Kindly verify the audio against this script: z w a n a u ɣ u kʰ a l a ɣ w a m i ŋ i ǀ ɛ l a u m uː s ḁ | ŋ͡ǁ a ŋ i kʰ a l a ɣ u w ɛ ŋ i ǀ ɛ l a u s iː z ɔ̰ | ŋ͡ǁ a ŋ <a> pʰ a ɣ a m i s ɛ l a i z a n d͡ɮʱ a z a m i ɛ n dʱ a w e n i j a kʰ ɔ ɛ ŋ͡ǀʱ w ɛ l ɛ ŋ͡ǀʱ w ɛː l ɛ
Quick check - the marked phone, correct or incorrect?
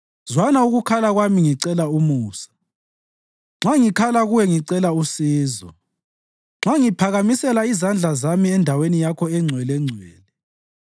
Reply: incorrect: i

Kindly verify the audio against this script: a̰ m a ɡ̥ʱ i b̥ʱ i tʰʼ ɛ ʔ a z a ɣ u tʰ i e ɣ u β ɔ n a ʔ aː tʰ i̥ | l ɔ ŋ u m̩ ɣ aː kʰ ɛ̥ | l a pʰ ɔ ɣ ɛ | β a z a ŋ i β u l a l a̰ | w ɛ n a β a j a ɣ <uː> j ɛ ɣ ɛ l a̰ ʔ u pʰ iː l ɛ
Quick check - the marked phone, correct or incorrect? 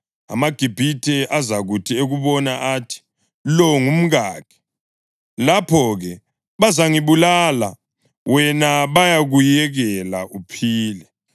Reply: incorrect: u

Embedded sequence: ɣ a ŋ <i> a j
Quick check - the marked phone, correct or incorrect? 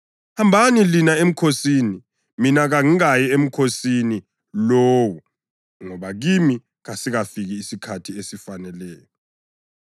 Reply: correct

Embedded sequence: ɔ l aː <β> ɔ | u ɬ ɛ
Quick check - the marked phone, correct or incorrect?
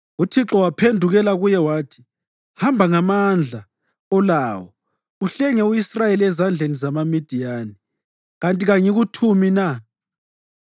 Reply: incorrect: w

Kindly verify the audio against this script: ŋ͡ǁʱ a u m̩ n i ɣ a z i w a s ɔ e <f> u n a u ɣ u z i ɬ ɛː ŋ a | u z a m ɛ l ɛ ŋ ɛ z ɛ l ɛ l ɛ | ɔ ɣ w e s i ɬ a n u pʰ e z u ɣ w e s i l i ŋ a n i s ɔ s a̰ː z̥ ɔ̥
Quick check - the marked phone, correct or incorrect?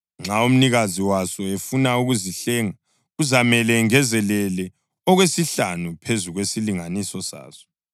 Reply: correct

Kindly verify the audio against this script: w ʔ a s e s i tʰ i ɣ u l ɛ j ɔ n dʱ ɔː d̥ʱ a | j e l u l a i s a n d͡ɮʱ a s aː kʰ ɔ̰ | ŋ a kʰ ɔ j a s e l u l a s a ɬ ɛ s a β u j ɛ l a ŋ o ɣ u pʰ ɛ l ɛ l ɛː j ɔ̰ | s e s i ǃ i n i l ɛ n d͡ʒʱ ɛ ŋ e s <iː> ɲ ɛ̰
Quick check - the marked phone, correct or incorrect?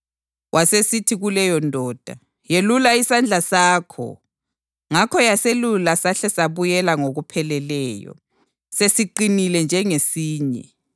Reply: correct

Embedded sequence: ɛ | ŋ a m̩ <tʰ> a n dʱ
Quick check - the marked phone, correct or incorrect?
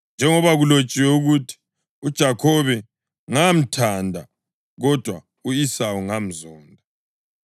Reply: correct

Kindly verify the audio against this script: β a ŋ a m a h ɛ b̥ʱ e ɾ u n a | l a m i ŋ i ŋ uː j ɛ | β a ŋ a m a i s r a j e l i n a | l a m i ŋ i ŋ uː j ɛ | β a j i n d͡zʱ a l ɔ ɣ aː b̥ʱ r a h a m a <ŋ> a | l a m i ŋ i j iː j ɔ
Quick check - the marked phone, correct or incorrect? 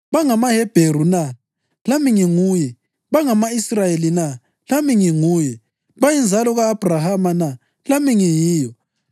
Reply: incorrect: n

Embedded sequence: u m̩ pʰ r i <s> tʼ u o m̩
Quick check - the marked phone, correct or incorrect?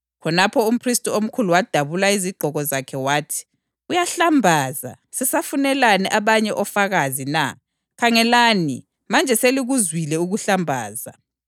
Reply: correct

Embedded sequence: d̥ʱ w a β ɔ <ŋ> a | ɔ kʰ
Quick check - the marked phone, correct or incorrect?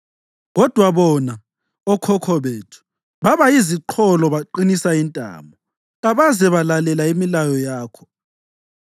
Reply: incorrect: n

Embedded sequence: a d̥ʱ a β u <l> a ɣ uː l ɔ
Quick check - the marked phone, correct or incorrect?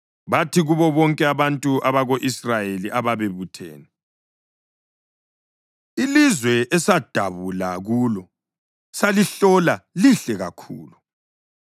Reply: correct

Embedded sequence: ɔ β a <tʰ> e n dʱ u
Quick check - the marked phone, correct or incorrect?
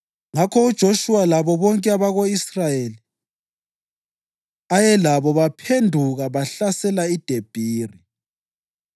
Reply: incorrect: pʰ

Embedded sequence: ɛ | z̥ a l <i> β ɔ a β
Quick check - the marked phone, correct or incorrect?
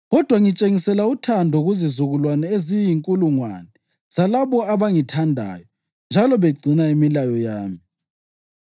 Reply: incorrect: a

